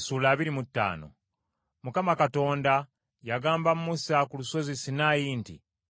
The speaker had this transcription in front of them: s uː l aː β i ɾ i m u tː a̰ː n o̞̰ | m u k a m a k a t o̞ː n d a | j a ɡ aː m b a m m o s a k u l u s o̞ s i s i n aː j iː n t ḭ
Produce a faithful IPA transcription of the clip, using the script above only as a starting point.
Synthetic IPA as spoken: s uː l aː β i ɾ i m u tː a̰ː n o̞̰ | m u k a m a k a t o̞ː n d a | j a ɡ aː m b a m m u s a k u l u s o̞ z i s i n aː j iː n t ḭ